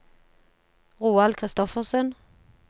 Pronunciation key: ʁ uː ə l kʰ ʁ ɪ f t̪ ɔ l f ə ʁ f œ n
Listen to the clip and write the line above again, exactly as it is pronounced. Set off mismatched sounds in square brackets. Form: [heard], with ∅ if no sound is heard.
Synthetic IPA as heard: ʁ uː [ɑ] l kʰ ʁ ɪ [s] t̪ ɔ [∅] f ə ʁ [s] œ n